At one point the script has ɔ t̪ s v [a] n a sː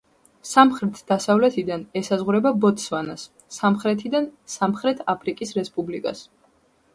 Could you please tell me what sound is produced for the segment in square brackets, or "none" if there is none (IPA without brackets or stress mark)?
a